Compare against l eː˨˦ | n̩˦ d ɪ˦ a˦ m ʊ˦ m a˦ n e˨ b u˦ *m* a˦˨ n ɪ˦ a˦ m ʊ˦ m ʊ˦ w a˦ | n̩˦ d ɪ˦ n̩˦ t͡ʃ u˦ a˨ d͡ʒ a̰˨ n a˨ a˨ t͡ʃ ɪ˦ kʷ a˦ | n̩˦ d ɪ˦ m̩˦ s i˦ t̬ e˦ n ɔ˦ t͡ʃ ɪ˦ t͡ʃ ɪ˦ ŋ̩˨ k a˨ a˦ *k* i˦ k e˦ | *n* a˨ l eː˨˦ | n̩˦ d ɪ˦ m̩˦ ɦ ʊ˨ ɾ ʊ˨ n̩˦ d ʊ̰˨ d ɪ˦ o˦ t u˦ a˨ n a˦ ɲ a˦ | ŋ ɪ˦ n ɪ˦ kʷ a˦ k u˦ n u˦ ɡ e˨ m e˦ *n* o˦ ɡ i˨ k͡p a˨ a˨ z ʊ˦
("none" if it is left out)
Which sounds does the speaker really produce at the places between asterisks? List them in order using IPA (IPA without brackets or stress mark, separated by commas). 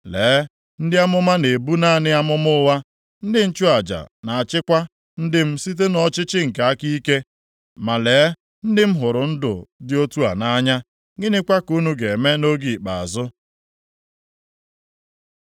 n, k, m, n